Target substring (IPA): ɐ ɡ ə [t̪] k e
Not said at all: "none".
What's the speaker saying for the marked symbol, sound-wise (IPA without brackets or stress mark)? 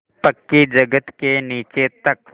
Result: t̪